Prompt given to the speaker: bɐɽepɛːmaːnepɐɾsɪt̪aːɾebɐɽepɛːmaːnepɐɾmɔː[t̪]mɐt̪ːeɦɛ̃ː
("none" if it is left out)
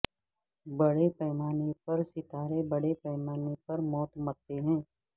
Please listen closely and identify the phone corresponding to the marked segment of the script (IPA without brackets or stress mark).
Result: t̪